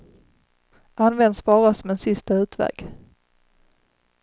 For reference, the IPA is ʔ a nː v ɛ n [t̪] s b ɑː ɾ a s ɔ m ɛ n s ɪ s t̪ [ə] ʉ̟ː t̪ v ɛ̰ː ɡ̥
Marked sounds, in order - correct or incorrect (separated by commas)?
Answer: incorrect, incorrect